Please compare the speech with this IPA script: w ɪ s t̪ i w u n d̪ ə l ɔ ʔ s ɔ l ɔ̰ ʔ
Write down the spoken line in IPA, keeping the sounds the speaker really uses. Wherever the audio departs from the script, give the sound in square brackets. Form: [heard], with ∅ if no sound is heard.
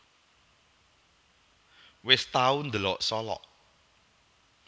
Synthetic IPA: w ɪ s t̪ [a] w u n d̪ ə l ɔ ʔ s ɔ l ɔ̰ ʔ